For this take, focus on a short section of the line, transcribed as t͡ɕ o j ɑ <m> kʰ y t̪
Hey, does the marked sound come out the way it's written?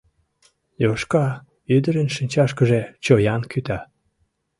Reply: no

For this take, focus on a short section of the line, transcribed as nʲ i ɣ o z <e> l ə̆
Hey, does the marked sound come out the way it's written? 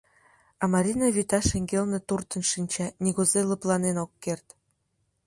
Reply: yes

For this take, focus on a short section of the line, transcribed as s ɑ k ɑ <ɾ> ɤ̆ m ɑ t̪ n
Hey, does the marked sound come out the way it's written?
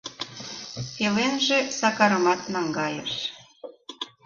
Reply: yes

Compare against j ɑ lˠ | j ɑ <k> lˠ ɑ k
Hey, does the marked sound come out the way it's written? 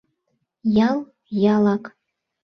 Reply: no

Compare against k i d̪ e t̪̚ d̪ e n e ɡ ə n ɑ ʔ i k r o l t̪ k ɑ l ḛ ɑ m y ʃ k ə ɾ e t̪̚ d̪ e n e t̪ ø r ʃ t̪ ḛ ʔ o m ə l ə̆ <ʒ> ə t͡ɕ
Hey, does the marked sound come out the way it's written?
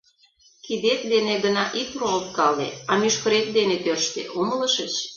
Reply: no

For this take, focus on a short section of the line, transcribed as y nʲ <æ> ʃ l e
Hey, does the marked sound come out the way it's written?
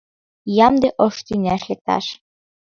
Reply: yes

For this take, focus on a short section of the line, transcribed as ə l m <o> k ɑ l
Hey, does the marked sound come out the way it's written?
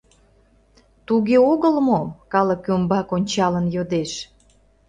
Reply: yes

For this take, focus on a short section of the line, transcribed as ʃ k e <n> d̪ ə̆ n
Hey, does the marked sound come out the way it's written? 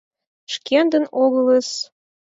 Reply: yes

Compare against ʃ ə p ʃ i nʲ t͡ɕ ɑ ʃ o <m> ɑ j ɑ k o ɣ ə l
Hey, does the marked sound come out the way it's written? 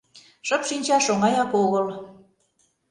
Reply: no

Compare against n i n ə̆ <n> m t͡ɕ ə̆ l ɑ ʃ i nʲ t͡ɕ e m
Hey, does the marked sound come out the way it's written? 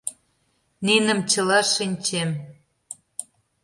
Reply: no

